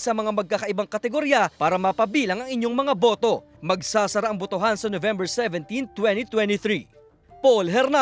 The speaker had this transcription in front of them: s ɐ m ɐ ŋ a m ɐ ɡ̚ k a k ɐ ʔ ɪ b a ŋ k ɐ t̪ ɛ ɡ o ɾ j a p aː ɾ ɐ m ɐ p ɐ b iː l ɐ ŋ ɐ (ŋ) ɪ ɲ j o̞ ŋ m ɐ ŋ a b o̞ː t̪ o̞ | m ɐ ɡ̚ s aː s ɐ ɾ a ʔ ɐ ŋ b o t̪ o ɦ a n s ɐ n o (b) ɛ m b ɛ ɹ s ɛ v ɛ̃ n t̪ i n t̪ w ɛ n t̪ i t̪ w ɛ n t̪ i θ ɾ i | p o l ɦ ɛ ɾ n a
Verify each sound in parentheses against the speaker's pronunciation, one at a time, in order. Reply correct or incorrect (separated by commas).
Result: correct, incorrect